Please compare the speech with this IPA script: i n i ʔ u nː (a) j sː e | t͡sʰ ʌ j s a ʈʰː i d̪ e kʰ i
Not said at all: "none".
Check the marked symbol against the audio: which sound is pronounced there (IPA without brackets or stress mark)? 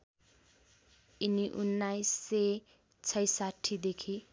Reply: a